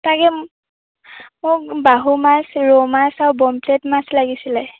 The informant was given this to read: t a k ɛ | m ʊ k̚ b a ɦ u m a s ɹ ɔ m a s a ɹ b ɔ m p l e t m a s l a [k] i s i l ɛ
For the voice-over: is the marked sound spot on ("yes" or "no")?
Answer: no